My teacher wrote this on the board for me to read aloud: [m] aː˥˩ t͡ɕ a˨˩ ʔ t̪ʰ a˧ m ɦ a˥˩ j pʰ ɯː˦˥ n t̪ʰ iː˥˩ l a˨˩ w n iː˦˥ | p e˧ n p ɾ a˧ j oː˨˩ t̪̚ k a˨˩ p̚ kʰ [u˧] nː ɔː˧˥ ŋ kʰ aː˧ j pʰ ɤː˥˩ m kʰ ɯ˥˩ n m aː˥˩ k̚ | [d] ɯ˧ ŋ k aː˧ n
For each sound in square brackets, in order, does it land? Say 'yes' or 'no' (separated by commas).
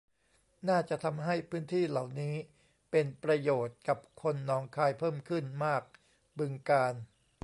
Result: no, no, no